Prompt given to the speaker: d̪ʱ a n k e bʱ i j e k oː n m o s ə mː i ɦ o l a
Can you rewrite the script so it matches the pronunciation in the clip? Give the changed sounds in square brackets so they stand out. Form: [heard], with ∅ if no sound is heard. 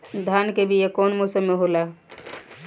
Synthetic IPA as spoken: d̪ʱ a n k e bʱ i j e k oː n m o s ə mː [e] ɦ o l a